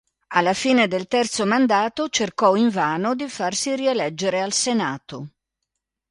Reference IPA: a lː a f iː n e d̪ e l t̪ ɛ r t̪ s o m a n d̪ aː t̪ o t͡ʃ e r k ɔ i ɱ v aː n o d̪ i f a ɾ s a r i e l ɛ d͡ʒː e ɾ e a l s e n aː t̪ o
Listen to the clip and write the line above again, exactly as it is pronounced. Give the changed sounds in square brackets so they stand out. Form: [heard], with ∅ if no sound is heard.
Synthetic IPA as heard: a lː a f iː n e d̪ e l t̪ ɛ r t̪ s o m a n d̪ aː t̪ o t͡ʃ e r k ɔ i ɱ v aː n o d̪ i f a [r] s [i] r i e l ɛ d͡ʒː e ɾ e a l s e n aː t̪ o